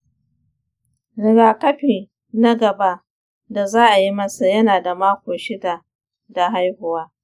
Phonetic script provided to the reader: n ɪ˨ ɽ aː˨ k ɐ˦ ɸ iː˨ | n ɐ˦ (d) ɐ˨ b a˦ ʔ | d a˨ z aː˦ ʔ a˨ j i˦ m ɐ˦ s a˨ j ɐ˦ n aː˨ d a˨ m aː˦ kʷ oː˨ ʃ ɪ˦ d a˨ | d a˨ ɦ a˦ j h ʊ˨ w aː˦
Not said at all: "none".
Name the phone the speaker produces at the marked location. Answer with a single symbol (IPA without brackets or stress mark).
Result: ɡ